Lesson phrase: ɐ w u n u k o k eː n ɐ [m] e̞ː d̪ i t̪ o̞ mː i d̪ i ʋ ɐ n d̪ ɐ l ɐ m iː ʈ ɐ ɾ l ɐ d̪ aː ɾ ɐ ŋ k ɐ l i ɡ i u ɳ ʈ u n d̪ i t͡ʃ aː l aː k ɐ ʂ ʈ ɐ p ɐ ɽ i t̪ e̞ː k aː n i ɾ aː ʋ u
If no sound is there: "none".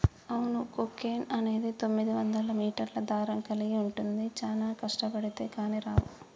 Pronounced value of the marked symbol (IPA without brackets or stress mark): n